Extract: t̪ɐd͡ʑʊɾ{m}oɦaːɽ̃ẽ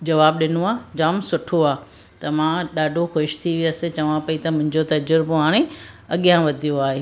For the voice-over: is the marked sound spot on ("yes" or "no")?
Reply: no